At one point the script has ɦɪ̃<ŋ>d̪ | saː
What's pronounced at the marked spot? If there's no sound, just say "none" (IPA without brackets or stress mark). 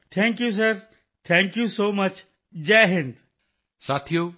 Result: n